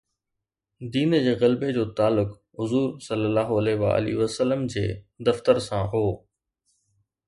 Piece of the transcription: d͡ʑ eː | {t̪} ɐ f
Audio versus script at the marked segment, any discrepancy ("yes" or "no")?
yes